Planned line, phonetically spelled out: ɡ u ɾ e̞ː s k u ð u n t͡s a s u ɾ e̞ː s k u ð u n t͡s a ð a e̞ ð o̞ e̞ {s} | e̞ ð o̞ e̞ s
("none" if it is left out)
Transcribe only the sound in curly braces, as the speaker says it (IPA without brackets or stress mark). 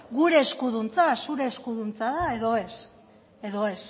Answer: s